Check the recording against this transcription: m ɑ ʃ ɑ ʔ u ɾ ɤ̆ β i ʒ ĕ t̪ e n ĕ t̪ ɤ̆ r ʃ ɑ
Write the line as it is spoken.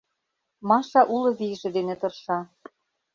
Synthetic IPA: m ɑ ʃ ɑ ʔ u l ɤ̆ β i ʒ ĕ d̪ e n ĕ t̪ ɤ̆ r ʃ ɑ